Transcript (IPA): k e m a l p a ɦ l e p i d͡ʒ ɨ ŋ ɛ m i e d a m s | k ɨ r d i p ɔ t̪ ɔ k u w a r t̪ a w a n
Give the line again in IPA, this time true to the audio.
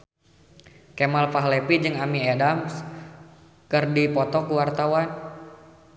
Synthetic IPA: k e m a l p a ɦ l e p i d͡ʒ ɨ ŋ a m i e d a m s | k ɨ r d i p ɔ t̪ ɔ k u w a r t̪ a w a n